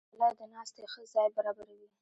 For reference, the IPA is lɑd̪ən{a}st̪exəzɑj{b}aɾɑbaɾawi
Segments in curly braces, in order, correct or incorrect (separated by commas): incorrect, correct